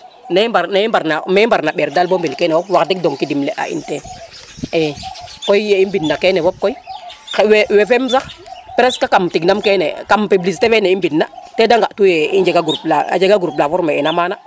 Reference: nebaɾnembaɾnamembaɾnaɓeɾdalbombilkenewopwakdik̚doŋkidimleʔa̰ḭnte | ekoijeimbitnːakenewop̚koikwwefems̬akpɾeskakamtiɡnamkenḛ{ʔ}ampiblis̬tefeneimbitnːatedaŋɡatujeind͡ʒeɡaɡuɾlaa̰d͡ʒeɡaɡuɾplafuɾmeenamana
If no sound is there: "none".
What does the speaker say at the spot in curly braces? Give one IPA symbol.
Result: k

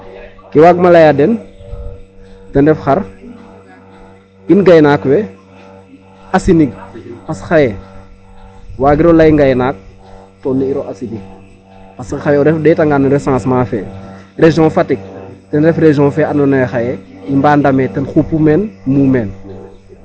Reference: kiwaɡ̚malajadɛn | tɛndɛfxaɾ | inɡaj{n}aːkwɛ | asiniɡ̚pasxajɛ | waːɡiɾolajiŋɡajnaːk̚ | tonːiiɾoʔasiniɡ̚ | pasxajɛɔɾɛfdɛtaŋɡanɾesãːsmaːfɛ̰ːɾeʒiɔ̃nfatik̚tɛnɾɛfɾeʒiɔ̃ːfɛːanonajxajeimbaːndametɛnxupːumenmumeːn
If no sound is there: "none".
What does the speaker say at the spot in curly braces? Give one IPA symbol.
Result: n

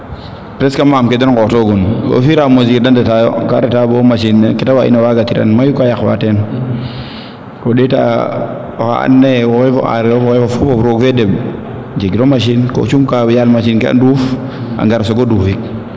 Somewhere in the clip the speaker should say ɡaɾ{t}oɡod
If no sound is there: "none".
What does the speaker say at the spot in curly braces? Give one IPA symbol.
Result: s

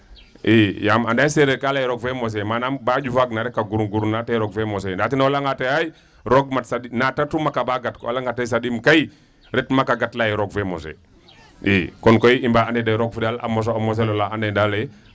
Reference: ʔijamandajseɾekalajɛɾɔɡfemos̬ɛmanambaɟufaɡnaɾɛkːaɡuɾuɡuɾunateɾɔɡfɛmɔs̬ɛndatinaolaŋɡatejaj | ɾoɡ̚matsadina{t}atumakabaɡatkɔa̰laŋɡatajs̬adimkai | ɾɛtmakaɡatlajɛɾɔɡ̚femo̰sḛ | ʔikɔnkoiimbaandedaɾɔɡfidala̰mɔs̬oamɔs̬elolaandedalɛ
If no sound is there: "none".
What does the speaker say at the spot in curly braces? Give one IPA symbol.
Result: t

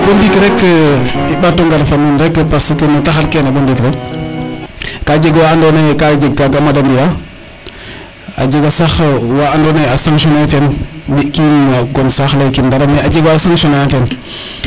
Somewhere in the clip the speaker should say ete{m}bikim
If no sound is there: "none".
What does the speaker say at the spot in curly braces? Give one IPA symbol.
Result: n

